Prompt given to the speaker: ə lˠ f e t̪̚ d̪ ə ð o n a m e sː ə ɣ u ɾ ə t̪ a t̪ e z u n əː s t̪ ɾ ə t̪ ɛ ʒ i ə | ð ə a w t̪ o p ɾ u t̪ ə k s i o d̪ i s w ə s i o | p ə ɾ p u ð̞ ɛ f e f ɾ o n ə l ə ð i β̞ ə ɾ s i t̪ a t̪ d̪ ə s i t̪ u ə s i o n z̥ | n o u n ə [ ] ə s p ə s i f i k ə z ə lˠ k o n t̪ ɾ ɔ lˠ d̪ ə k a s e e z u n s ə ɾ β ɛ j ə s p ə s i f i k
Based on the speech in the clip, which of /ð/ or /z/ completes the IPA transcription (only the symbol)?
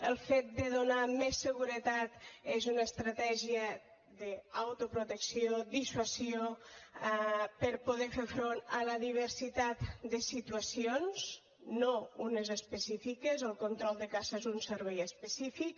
z